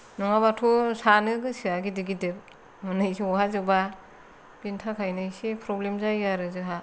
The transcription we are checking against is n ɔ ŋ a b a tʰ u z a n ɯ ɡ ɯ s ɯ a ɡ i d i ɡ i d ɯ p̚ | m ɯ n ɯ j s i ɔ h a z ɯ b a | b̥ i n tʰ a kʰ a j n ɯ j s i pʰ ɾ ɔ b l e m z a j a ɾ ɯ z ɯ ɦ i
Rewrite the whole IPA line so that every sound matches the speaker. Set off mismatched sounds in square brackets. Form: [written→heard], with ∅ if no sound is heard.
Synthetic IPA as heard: n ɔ ŋ a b a tʰ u [z→s] a n ɯ ɡ ɯ s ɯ a ɡ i d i ɡ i d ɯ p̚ | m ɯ n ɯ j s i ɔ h a z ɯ b a | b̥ i n tʰ a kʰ a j n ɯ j s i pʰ ɾ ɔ b l e m z a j a ɾ ɯ z ɯ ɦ [i→a]